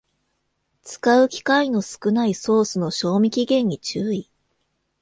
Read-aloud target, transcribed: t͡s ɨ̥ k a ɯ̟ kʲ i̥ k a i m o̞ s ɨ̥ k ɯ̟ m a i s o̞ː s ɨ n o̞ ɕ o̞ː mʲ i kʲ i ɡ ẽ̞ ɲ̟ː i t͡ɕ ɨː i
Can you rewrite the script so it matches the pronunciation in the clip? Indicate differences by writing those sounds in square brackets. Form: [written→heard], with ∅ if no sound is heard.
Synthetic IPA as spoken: t͡s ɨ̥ k a ɯ̟ kʲ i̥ k a i [m→n] o̞ s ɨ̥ k ɯ̟ [m→n] a i s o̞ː s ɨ n o̞ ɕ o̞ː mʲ i kʲ i ɡ ẽ̞ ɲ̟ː i t͡ɕ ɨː i